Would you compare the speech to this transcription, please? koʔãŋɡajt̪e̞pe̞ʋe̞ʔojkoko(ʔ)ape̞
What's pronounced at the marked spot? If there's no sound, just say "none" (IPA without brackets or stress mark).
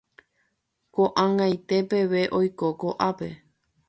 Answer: ʔ